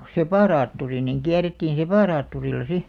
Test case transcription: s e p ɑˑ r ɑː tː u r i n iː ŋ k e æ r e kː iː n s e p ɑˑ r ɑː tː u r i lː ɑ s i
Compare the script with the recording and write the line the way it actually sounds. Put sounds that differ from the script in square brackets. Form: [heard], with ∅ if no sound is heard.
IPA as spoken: s e p ɑˑ r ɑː tː u r i n [i] ŋ k [i] æ r e [tː] iː n s e p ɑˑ r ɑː tː u r i lː ɑ s i